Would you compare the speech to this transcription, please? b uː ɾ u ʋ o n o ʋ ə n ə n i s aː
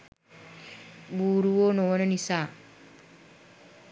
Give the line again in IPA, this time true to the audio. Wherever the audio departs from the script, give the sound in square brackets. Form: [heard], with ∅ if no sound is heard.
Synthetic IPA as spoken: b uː ɾ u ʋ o n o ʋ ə n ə n i s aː